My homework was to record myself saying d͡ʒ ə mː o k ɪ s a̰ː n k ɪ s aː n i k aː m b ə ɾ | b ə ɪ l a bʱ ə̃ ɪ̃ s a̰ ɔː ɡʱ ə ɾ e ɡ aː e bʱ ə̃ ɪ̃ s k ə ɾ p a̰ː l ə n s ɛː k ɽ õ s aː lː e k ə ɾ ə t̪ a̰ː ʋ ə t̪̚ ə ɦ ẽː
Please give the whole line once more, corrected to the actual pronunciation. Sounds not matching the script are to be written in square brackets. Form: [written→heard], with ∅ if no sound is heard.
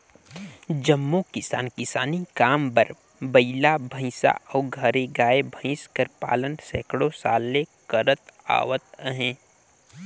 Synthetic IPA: d͡ʒ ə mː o k ɪ s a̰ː n k ɪ s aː n i k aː m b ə ɾ | b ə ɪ l a bʱ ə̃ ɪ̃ s a̰ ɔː ɡʱ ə ɾ e ɡ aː e bʱ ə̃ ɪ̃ s k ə ɾ p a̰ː l ə n s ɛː k ɽ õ s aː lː e k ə ɾ ə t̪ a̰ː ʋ ə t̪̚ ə ɦ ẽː